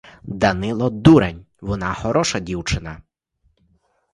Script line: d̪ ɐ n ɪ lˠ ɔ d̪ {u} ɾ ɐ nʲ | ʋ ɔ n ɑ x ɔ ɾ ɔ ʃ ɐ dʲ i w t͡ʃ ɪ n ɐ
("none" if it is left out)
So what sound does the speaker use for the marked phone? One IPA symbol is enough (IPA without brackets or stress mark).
u